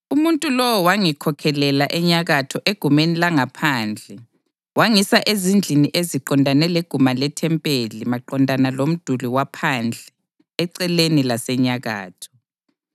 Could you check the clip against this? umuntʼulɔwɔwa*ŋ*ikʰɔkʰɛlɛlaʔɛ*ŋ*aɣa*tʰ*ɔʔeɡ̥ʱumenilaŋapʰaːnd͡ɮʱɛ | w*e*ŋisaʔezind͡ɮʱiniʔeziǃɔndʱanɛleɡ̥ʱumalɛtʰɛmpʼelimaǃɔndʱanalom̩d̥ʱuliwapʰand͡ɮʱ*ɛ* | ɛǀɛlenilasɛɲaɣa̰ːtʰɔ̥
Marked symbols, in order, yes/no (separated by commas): yes, no, yes, no, yes